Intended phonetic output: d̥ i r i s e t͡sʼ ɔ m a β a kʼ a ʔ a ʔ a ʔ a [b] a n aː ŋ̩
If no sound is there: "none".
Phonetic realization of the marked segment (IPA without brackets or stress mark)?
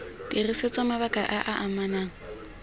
m